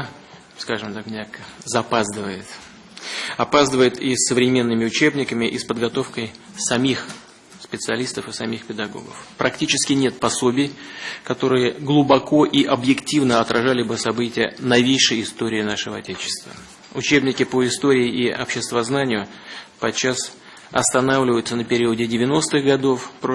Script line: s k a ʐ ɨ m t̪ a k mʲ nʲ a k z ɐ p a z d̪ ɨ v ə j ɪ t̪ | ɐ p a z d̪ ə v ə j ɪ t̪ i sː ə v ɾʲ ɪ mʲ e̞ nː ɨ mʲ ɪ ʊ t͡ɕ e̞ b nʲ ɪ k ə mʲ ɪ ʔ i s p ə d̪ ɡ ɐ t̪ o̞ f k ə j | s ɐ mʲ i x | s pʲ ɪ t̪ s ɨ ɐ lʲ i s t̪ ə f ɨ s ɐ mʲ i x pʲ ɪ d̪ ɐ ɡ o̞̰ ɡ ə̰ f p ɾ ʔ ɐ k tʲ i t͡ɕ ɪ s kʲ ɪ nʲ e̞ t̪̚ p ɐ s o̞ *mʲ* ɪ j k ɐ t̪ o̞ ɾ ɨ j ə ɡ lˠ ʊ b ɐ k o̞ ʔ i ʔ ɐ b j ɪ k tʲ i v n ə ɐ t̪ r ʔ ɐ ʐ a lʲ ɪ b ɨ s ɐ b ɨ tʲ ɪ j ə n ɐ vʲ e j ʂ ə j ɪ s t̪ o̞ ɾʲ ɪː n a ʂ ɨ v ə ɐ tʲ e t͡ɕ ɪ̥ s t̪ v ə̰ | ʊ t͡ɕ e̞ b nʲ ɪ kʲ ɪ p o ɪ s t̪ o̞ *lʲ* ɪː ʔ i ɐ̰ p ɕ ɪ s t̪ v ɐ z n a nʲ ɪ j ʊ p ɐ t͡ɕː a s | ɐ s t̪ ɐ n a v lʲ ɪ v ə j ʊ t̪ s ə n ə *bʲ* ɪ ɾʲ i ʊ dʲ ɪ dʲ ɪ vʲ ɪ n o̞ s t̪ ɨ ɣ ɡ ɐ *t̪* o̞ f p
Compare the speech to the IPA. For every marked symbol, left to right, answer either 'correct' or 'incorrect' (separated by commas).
incorrect, incorrect, incorrect, incorrect